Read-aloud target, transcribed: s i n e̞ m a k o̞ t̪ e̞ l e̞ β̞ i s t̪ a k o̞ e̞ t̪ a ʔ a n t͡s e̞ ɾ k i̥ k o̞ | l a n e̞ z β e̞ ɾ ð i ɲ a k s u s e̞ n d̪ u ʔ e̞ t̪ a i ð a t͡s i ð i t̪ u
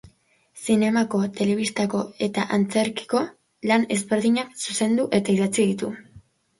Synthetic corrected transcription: s i n e̞ m a k o̞ t̪ e̞ l e̞ β̞ i s t̪ a k o̞ e̞ t̪ a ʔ a n t͡s e̞ ɾ k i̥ k o̞ | l a n e̞ z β e̞ ɾ ð i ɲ a k s u s e̞ n d̪ u ʔ e̞ t̪ a i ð a t͡s i ð i t̪ u